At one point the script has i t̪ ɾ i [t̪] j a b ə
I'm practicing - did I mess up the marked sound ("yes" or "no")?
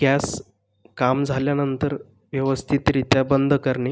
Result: no